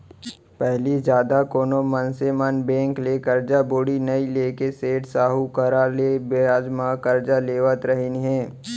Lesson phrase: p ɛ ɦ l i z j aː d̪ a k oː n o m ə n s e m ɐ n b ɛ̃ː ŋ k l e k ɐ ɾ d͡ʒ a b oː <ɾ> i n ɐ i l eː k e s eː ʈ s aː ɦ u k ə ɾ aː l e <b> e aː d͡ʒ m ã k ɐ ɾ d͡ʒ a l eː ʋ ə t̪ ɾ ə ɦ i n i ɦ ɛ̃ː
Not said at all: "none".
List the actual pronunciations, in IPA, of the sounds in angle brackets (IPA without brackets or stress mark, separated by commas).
ɽ, b